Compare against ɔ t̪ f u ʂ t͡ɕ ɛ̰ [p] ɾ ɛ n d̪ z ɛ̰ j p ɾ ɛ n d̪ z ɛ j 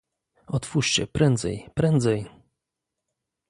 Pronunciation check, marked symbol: correct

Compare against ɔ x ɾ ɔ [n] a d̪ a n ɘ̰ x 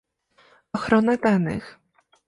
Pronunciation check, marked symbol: correct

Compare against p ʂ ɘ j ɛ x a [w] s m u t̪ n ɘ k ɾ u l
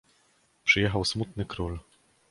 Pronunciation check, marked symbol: correct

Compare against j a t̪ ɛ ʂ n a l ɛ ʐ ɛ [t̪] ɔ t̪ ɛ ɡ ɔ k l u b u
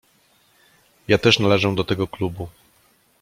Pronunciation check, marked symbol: incorrect: d̪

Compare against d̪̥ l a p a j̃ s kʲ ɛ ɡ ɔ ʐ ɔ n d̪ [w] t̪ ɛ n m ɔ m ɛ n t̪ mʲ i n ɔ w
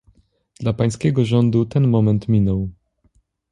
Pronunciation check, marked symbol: incorrect: u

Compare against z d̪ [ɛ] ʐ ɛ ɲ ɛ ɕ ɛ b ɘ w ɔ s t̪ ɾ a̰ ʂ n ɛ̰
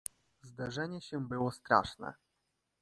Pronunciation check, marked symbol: incorrect: a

